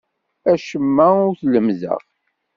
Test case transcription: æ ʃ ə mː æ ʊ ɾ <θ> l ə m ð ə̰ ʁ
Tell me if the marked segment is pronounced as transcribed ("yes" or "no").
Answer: yes